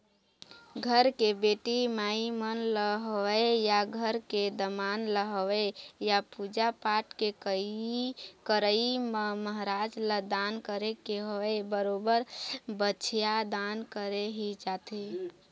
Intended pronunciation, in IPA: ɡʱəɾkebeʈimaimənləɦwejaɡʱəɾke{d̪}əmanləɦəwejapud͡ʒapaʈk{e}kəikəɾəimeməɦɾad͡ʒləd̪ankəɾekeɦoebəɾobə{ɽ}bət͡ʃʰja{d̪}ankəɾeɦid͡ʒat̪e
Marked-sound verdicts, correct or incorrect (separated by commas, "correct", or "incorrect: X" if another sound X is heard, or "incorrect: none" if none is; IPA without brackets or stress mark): correct, correct, incorrect: ɾ, correct